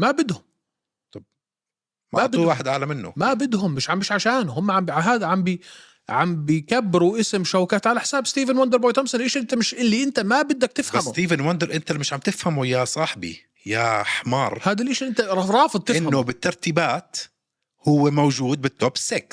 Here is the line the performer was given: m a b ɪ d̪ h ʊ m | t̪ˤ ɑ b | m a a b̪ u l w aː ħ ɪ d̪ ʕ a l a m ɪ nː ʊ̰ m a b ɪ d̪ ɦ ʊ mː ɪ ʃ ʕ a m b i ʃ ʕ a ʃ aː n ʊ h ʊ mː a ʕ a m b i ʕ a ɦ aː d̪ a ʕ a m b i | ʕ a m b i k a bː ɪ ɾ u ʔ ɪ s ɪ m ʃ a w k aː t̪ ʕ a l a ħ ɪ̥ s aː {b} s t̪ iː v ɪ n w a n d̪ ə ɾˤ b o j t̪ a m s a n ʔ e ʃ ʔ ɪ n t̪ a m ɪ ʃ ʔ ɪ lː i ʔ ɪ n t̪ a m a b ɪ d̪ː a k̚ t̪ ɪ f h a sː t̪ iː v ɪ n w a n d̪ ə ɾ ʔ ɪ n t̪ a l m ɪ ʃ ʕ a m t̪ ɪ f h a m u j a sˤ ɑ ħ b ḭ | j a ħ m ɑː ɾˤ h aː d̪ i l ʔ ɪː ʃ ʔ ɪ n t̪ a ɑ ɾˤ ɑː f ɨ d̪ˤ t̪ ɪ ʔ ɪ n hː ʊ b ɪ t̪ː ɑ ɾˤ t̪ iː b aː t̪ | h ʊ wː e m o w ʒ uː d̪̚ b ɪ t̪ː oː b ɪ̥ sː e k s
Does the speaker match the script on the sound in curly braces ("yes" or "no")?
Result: yes